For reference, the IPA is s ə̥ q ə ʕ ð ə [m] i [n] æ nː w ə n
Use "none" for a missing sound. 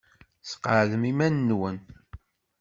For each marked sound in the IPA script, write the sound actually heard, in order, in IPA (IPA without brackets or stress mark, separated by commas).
m, m